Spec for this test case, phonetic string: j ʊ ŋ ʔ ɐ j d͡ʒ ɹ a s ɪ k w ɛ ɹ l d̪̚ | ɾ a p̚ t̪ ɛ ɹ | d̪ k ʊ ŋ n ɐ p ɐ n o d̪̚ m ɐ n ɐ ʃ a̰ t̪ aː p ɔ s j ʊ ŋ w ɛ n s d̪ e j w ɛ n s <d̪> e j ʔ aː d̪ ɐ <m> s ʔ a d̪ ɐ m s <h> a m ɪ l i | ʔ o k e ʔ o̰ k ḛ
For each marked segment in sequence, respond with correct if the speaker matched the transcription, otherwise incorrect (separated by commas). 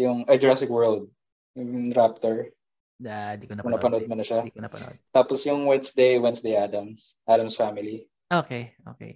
correct, correct, incorrect